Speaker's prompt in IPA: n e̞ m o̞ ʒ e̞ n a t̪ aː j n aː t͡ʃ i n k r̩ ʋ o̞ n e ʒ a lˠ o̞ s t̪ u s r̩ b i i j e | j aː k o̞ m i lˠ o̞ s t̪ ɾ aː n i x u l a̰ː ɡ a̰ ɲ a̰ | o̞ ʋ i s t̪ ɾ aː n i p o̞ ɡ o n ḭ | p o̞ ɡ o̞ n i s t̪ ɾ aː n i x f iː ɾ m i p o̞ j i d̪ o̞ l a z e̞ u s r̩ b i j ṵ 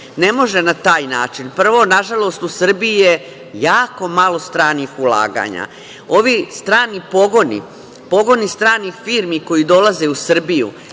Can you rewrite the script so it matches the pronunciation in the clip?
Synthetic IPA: n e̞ m o̞ ʒ e̞ n a t̪ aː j n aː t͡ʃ i n p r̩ ʋ o̞ n a ʒ a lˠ o̞ s t̪ u s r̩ b i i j e | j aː k o̞ m a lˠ o̞ s t̪ ɾ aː n i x u l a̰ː ɡ a̰ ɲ a̰ | o̞ ʋ i s t̪ ɾ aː n i p o̞ ɡ o n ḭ | p o̞ ɡ o̞ n i s t̪ ɾ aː n i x f iː ɾ m i k o̞ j i d̪ o̞ l a z e̞ u s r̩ b i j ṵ